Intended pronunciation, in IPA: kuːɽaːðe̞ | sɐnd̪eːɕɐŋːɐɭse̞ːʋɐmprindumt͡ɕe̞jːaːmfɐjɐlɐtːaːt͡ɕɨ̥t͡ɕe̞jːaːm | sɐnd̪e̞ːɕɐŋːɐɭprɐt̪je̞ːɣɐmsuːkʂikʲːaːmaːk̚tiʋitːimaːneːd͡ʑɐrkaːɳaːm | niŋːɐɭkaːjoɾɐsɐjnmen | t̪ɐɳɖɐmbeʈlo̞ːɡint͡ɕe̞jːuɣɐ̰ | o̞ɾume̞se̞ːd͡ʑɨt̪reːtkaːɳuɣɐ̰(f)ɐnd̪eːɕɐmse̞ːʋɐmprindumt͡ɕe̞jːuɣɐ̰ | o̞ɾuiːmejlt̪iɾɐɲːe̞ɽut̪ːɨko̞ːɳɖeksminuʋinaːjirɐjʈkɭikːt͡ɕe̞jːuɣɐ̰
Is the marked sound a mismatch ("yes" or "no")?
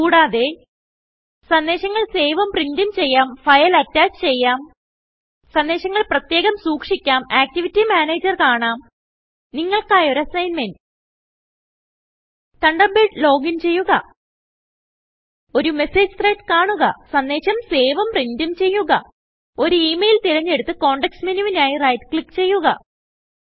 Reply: yes